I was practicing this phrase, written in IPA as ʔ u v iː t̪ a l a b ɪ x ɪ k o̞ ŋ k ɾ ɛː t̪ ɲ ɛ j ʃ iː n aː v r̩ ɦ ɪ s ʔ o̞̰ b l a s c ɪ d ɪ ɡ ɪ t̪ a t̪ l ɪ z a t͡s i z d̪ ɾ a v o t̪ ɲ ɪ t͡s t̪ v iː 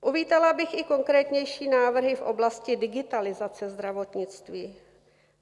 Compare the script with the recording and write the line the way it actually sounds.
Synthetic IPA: ʔ u v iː t̪ a l a b ɪ x ɪ k o̞ ŋ k ɾ ɛː t̪ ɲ ɛ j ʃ iː n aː v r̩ ɦ ɪ f ʔ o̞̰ b l a s c ɪ d ɪ ɡ ɪ t̪ a l ɪ z a t͡s ɛ z d̪ ɾ a v o t̪ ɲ ɪ t͡s t̪ v iː